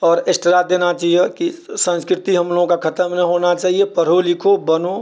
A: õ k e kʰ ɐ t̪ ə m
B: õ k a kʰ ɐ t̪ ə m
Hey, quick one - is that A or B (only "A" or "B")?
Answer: B